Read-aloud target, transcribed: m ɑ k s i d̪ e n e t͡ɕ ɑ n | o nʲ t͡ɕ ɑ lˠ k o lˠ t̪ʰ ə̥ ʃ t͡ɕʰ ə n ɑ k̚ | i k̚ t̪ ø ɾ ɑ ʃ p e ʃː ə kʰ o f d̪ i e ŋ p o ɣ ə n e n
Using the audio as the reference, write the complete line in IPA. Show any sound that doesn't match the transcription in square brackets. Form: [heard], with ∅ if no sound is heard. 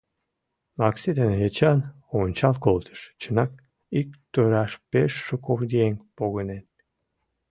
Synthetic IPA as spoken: m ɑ k s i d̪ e n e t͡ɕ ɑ n | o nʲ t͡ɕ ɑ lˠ k o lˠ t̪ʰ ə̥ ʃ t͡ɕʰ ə n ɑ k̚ | i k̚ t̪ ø ɾ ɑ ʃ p e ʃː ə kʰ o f d̪ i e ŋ p o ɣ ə n e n